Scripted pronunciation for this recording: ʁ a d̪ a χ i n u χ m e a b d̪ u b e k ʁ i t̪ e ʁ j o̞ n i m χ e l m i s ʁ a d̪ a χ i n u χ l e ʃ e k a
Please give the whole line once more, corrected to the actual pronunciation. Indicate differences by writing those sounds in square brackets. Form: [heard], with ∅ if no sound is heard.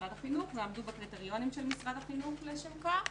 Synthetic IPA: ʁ a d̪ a χ i n u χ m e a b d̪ u b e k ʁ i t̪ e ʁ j o̞ n i m [ʃ] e l m i s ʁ a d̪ a χ i n u χ l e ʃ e k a